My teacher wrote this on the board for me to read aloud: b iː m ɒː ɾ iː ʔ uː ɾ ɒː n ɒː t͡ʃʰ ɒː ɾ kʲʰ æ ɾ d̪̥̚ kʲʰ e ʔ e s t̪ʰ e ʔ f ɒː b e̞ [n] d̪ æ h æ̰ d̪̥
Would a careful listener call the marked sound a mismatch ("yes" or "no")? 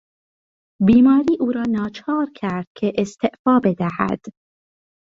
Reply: yes